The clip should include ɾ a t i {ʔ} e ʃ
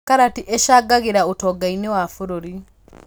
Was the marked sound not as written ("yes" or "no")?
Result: no